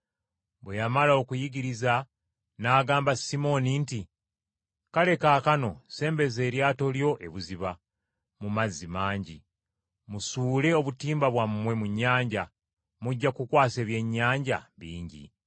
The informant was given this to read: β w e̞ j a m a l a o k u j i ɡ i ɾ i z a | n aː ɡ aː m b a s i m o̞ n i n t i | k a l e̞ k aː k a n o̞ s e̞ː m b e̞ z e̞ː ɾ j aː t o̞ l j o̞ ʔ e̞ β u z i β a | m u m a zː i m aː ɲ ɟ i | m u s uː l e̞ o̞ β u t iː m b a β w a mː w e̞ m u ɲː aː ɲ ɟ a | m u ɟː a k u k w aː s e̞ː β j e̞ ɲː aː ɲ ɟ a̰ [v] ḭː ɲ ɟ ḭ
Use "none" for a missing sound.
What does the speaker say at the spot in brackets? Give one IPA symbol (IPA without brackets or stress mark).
β